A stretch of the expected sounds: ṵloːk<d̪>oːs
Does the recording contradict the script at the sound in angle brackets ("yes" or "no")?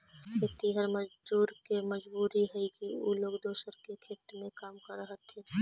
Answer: no